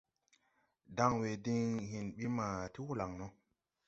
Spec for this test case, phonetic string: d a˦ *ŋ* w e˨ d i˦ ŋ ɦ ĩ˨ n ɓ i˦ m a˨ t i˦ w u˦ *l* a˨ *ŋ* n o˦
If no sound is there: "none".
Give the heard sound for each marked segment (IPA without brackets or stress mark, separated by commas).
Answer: ŋ, l, ŋ